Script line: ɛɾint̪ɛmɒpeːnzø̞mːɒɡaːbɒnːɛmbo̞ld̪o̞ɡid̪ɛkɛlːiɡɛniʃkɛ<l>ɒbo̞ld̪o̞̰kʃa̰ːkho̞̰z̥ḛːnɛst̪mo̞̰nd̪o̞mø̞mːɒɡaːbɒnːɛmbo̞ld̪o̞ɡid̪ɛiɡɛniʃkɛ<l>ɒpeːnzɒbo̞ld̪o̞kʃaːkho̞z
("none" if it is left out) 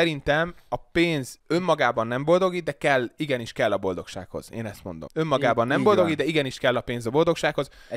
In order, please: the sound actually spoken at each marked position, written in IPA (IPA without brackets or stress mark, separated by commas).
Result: lː, lː